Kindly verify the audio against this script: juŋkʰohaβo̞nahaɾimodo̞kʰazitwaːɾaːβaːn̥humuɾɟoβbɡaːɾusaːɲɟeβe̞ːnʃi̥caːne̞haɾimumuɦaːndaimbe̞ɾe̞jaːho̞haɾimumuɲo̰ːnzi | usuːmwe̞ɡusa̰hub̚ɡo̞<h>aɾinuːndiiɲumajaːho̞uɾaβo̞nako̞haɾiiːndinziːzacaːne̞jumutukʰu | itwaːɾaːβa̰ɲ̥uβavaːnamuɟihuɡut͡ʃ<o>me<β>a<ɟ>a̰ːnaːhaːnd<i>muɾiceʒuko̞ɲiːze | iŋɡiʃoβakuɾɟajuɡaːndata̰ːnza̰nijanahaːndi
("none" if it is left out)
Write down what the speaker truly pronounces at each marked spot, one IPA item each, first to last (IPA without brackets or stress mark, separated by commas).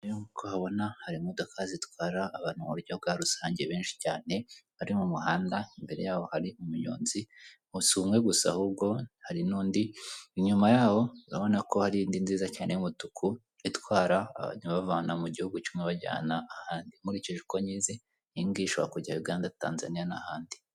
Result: h, u, β, ɟ, i